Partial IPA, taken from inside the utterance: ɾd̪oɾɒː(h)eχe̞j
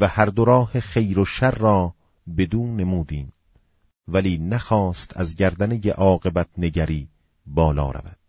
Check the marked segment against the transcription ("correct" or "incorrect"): correct